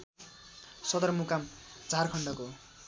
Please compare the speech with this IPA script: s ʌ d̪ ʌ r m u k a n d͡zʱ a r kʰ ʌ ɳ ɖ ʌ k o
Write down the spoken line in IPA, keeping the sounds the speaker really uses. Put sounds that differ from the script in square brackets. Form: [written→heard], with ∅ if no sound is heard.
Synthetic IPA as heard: s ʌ d̪ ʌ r m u k a [n→m] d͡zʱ a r kʰ ʌ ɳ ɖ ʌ k o